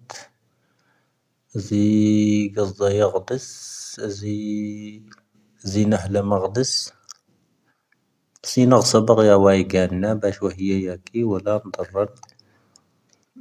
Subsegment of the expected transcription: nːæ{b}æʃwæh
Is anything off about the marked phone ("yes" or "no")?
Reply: no